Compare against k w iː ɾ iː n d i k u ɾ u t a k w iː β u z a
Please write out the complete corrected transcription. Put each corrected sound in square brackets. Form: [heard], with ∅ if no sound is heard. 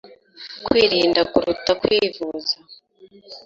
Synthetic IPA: k w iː ɾ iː n d [a] k u ɾ u t a k w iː [v] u z a